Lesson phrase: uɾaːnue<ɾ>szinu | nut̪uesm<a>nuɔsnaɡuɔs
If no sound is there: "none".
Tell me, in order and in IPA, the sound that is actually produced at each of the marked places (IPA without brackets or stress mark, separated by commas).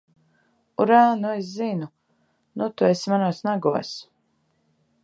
none, a